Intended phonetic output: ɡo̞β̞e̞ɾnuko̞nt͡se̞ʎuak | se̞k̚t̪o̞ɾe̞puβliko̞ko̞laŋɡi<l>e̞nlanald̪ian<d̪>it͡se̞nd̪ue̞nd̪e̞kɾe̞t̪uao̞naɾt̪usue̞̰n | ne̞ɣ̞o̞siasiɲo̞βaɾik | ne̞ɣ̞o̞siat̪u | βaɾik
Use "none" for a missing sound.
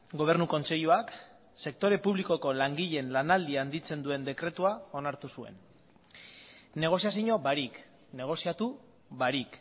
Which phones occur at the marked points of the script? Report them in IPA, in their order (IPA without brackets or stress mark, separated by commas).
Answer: ʎ, d̪